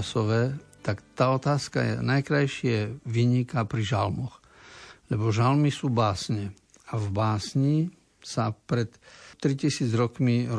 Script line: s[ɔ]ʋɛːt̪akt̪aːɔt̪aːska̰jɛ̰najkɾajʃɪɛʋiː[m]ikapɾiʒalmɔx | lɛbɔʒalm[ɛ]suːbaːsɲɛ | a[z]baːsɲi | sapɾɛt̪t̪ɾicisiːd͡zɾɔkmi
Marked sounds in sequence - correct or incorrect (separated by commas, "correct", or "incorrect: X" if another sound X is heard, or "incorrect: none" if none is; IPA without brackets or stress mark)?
correct, incorrect: ɲ, incorrect: i, incorrect: v